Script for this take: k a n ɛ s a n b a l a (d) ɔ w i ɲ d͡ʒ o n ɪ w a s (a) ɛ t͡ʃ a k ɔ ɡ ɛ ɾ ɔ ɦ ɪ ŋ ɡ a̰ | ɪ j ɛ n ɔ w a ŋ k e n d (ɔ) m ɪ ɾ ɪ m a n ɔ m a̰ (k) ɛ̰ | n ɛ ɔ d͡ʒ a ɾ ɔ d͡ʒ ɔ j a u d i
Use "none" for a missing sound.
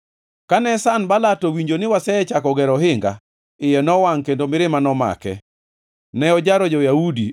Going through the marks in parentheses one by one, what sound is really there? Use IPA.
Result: t, ɛ, o, k

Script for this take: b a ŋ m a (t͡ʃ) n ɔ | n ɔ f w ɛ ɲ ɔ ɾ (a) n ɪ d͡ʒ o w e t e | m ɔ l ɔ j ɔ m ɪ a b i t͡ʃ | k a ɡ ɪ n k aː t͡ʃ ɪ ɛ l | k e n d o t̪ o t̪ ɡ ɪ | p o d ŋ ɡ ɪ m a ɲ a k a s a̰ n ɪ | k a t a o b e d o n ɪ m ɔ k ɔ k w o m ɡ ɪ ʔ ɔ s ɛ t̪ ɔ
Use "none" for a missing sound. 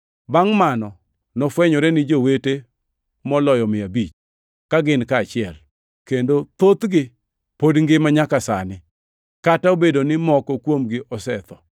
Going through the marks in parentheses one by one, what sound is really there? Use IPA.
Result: none, ɛ

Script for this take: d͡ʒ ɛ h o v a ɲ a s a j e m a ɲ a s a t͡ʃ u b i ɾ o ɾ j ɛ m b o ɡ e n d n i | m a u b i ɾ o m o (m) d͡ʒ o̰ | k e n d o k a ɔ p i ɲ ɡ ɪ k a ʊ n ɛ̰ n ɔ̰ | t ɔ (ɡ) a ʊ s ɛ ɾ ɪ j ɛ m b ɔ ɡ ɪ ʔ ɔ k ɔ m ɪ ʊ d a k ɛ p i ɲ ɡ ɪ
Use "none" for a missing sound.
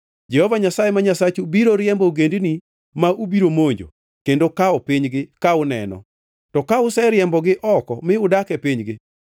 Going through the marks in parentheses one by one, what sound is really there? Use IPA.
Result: ɲ, k

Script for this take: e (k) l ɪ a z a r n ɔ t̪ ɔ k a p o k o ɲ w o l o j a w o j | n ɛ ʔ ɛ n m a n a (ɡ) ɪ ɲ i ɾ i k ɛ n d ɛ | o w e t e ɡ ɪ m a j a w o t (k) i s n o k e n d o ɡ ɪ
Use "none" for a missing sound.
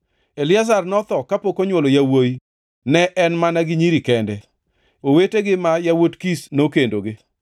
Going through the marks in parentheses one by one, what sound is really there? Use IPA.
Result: none, ɡ, k

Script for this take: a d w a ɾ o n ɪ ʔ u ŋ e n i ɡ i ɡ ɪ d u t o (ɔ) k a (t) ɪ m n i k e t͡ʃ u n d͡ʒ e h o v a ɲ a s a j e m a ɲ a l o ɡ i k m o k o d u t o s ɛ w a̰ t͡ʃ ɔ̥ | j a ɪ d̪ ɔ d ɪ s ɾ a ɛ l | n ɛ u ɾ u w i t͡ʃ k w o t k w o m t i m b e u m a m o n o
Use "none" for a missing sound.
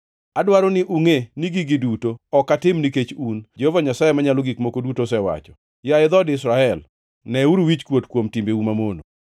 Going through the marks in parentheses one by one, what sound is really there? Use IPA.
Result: ɔ, t

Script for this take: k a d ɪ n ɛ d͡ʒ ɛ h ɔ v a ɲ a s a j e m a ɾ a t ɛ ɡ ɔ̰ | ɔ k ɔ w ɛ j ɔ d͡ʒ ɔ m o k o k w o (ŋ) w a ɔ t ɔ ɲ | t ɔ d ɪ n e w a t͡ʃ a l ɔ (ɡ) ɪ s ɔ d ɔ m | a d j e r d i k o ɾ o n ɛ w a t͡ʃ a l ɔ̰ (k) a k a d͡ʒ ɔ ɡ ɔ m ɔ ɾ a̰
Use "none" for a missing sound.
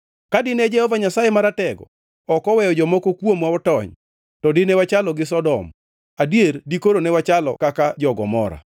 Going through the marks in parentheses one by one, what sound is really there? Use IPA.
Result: m, ɡ, k

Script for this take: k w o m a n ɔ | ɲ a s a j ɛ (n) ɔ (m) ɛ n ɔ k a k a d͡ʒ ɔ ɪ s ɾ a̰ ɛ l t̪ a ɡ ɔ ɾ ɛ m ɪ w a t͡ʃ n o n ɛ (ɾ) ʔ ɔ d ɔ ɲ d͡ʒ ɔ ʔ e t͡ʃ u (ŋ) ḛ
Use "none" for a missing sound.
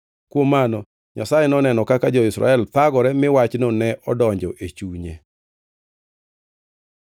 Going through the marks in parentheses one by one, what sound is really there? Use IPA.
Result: n, n, none, ɲ

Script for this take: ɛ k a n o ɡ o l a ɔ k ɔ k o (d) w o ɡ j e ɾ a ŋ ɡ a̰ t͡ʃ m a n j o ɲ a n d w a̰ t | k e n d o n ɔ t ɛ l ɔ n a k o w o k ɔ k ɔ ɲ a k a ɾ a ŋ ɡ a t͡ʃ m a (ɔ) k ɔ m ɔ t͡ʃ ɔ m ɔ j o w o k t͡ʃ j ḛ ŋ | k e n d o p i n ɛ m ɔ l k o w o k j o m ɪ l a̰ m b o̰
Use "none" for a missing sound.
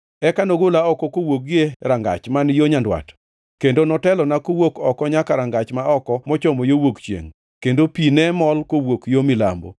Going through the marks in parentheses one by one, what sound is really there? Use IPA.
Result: none, ɔ

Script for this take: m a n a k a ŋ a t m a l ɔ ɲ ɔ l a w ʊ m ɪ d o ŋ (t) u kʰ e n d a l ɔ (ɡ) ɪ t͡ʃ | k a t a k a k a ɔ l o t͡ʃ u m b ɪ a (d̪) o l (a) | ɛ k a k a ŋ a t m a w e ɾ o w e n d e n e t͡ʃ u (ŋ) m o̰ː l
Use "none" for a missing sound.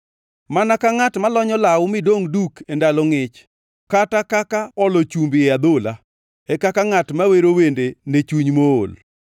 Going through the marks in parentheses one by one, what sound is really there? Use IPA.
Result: d, ŋ, d̪, a, ɲ

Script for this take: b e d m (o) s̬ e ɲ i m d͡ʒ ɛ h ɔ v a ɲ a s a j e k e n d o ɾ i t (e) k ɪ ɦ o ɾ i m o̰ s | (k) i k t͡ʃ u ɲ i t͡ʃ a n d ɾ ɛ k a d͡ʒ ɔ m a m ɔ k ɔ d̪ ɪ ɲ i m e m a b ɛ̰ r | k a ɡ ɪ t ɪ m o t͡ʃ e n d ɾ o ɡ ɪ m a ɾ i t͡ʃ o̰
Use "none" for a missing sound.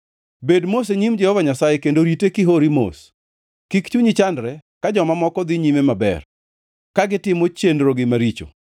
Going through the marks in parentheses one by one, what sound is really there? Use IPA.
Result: o, e, k

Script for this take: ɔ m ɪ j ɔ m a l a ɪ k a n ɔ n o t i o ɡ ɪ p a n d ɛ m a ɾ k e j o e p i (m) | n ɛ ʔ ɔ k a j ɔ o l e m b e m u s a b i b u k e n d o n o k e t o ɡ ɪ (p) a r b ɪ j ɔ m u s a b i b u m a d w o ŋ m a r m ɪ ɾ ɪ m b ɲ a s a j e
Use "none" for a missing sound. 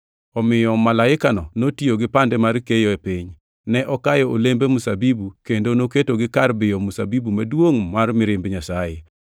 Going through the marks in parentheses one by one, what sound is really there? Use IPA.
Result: ɲ, k

